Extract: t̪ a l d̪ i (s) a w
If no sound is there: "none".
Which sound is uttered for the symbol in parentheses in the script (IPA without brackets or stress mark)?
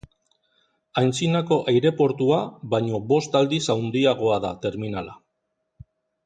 s